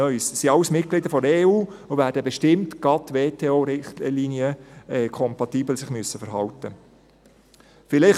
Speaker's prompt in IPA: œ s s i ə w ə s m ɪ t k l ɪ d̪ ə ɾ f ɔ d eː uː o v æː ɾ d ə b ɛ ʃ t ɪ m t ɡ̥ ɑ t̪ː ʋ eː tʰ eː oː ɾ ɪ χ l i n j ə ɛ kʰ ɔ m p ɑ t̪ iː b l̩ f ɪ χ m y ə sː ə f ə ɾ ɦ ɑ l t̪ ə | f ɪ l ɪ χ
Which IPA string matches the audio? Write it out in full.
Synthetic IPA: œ s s i ɑ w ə s m ɪ t k l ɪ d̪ ə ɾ f ɔ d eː uː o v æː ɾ d ə b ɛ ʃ t ɪ m t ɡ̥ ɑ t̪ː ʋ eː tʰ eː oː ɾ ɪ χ l i n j ə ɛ kʰ ɔ m p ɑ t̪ iː b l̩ s ɪ χ m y ə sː ə f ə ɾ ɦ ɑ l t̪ ə | f ɪ l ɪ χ